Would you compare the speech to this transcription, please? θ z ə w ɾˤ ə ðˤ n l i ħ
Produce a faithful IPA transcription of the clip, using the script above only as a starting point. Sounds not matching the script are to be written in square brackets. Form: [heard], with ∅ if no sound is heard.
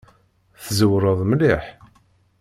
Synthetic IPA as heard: θ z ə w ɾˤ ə ðˤ [m] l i ħ